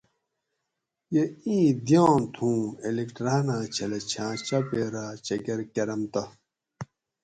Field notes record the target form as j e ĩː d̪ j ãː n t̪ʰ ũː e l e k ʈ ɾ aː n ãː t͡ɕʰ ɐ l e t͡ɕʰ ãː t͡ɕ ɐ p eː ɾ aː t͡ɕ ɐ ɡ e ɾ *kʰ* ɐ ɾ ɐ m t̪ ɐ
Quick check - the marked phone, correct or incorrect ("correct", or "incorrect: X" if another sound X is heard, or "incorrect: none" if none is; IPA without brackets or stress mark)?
incorrect: k